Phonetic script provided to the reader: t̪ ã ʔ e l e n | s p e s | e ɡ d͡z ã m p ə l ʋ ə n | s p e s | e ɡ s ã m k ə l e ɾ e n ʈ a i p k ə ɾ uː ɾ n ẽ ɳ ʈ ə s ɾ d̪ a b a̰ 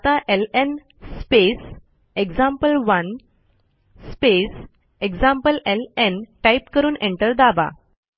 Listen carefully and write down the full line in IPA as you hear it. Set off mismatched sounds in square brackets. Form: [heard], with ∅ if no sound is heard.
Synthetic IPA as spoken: t̪ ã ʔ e l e n | s p e s | e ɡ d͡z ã m p ə l ʋ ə n | s p e s | e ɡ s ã m [p] ə l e [l] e n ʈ a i p k ə ɾ uː [∅] n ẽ ɳ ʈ ə [∅] ɾ d̪ a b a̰